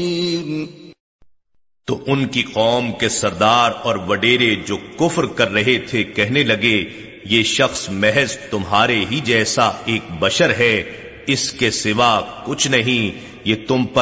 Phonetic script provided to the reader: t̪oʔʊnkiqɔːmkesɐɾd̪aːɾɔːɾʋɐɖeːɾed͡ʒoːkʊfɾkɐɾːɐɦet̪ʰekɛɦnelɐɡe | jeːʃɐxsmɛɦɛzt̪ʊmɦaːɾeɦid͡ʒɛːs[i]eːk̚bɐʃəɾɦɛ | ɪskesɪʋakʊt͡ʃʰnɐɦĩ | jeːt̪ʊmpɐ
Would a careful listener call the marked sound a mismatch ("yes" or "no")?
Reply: yes